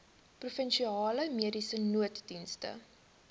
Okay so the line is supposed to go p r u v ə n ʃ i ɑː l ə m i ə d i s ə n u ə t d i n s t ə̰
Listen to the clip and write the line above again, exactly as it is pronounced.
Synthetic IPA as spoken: p r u f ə n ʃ i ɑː l ə m i ə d i s ə n u ə t d i n s t ə̰